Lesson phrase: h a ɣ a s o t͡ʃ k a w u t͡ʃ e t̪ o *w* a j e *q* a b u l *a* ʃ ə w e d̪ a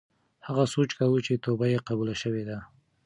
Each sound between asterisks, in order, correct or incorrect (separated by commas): incorrect, correct, correct